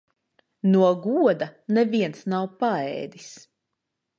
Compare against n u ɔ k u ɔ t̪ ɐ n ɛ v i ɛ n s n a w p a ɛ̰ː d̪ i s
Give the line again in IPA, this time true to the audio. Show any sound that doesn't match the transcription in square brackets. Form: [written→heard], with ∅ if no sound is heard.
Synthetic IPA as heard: n u ɔ [k→ɡ] u ɔ [t̪→d̪] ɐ n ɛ v i ɛ n s n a w p a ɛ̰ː d̪ i s